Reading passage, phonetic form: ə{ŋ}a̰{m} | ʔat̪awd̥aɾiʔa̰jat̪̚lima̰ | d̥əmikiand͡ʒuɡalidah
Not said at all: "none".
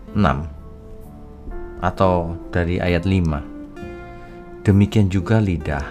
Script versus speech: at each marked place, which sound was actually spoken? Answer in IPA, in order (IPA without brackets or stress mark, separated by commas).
n, m